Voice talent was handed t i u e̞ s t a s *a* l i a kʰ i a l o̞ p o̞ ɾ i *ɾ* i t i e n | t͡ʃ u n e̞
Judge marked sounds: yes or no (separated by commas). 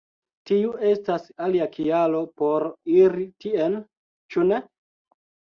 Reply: yes, yes